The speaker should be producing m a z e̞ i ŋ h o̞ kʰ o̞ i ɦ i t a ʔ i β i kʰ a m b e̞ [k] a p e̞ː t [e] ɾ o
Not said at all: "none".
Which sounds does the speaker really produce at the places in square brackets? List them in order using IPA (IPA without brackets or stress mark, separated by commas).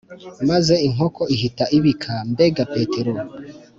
ɡ, e